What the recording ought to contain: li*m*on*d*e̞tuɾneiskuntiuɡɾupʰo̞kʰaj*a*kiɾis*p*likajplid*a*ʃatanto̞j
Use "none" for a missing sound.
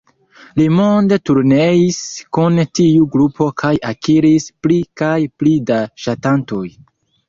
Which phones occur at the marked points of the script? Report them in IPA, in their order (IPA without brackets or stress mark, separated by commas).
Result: m, d, a, p, a